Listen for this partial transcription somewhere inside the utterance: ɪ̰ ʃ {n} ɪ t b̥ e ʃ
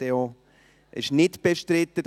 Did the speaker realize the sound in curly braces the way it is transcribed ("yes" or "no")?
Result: yes